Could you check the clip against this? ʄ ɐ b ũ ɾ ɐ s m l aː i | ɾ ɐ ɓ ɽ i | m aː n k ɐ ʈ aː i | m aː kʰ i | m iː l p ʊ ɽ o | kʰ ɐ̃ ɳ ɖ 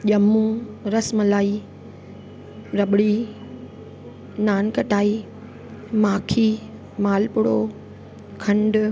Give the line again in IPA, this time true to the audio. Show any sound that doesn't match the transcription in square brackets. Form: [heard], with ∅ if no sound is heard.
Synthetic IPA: ʄ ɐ [m] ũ ɾ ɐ s m l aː i | ɾ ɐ ɓ ɽ i | [n] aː n k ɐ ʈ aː i | m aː kʰ i | m [aː] l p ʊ ɽ o | kʰ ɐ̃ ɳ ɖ